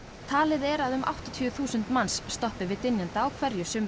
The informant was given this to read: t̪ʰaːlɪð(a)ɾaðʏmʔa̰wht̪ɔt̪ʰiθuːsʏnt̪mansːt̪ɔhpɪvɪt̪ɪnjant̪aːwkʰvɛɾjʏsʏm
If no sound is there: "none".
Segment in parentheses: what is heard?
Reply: ɛ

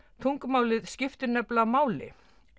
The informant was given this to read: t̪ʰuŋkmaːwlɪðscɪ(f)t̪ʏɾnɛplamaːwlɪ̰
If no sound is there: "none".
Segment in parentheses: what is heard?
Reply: f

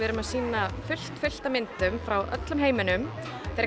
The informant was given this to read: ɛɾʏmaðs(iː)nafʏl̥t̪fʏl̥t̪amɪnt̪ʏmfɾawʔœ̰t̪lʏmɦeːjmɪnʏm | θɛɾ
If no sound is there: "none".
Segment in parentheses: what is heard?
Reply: iː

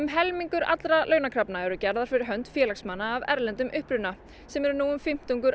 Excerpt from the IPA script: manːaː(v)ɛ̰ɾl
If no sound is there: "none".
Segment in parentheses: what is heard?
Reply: v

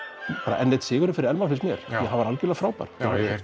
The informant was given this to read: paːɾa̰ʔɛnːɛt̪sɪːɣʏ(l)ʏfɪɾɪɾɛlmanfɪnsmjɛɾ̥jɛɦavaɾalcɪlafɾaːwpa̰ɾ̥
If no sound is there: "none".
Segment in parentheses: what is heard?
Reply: ɾ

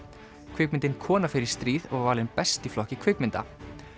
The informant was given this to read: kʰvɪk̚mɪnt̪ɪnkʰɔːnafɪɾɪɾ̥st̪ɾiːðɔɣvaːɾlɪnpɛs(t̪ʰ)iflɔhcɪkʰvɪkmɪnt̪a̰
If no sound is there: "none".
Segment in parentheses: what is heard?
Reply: t̪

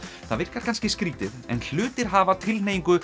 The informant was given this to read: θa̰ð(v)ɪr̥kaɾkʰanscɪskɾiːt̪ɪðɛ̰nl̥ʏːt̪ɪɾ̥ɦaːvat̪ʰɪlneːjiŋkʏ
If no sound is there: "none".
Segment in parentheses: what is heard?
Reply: v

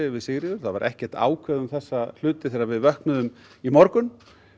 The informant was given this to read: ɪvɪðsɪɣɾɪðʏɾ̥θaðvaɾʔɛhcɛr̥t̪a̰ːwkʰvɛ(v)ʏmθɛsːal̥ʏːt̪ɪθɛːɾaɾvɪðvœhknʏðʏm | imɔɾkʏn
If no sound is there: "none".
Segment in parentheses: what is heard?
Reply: ð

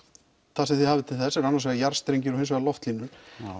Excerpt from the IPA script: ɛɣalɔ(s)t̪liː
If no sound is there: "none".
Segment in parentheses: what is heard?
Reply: f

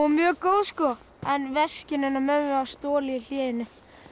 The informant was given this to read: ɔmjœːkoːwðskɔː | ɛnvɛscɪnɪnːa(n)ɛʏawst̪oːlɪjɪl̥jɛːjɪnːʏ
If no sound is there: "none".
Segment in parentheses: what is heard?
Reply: m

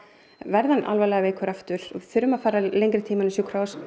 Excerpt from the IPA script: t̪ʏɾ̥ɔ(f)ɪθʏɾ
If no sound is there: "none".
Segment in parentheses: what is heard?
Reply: none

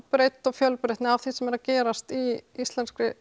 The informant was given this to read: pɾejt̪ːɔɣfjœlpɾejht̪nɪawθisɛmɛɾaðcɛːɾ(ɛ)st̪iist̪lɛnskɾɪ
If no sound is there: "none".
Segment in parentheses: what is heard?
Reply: a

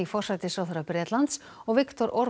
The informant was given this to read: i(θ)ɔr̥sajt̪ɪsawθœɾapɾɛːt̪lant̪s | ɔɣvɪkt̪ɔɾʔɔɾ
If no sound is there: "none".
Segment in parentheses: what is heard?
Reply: f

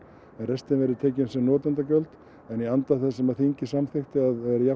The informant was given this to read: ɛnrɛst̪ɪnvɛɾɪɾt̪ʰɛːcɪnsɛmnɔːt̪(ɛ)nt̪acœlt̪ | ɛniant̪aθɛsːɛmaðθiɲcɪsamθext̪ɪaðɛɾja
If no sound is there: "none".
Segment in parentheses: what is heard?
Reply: a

